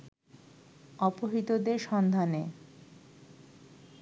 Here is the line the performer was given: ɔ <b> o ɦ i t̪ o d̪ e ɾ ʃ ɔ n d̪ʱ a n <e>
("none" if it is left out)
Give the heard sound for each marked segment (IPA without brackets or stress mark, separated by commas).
p, e